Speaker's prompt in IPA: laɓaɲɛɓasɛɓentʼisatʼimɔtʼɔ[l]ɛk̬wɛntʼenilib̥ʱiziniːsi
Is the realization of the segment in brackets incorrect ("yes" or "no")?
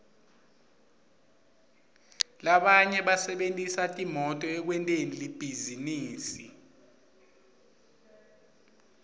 yes